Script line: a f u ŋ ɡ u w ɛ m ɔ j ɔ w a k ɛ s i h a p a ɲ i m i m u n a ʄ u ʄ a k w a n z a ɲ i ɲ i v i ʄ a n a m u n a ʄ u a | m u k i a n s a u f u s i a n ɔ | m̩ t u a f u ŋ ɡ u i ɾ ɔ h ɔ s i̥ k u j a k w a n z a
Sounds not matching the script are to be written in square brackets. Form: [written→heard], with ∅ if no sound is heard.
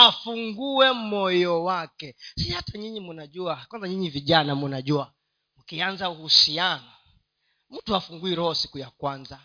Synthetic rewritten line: a f u ŋ ɡ u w ɛ m ɔ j ɔ w a k ɛ s i h a [p→t] a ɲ i [m→ɲ] i m u n a ʄ u [ʄ→∅] a k w a n z a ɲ i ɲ i v i ʄ a n a m u n a ʄ u a | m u k i a n [s→z] a u [f→h] u s i a n ɔ | m̩ t u a f u ŋ ɡ u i ɾ ɔ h ɔ s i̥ k u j a k w a n z a